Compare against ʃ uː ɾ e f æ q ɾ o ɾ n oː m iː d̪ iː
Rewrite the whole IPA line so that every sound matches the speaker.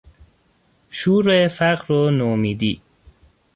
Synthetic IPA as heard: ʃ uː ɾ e f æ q ɾ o n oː m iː d̪ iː